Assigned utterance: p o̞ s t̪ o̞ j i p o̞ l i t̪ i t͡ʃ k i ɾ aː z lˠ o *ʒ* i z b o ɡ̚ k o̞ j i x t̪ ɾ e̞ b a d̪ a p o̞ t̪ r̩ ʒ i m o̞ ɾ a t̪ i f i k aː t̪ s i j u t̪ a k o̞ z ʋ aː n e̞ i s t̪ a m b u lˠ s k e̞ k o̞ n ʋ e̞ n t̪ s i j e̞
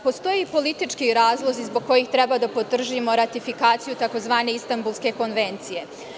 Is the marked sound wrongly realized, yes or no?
yes